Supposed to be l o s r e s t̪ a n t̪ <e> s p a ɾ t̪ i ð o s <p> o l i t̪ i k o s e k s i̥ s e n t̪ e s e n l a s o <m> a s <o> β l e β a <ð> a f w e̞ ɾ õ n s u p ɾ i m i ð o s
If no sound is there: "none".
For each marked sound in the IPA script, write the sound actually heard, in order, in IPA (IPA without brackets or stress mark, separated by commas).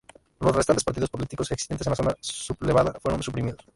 e, p, n, u, ð